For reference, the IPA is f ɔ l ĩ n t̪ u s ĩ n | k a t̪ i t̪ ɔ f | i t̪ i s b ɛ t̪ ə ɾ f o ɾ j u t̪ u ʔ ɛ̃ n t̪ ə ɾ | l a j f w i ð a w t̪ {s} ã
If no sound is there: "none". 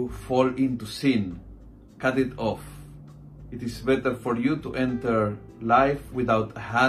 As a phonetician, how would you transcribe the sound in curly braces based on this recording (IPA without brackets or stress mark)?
h